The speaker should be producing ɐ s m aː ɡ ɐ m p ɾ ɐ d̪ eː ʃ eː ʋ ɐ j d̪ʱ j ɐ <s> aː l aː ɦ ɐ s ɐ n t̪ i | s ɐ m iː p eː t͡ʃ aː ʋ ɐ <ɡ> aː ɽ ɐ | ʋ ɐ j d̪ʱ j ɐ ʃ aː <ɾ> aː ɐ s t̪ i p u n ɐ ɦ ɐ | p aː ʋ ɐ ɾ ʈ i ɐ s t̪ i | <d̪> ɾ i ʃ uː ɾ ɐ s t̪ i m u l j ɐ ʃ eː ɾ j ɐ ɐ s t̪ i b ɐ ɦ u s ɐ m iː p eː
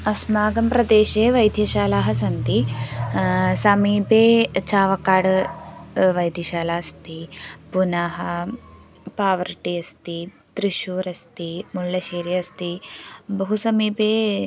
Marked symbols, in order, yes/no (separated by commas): no, no, no, no